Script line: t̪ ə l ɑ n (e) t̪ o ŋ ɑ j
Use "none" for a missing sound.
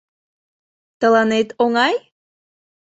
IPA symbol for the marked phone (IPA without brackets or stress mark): e